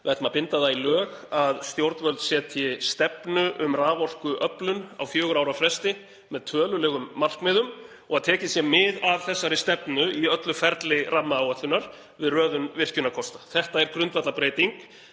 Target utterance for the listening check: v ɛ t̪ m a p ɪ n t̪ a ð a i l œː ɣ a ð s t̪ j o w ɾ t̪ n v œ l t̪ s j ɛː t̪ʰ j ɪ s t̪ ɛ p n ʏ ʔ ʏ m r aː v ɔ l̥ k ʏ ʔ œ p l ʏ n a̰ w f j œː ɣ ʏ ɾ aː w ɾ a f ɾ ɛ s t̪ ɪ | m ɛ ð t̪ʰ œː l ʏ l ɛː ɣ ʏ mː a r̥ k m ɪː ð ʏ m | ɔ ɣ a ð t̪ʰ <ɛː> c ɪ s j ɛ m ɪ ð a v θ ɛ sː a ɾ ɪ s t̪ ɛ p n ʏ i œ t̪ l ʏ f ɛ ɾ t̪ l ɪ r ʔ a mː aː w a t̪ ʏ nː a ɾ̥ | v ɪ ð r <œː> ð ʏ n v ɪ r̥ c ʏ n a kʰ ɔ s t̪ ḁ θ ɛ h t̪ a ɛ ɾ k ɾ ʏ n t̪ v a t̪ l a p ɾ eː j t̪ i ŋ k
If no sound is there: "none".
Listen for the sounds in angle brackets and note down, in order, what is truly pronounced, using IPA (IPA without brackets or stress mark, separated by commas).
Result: ɛː, œː